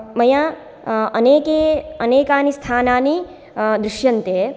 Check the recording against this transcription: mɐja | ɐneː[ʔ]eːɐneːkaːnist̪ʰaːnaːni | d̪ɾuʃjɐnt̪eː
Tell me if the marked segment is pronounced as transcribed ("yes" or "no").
no